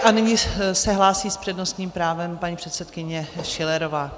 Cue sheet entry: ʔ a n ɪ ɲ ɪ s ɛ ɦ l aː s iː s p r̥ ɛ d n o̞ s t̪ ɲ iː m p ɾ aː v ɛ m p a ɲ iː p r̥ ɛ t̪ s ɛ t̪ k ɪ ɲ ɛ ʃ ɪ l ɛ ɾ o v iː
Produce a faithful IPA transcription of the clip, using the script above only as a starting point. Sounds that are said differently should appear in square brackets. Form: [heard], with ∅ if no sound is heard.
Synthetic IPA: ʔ a n ɪ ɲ ɪ s ɛ ɦ l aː s iː s p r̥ ɛ d n o̞ s t̪ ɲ iː m p ɾ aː v ɛ m p a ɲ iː p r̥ ɛ t̪ s ɛ t̪ k ɪ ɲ ɛ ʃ ɪ l ɛ ɾ o v [aː]